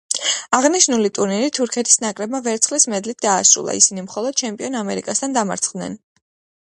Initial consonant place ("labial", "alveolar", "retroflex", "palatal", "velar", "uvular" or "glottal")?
uvular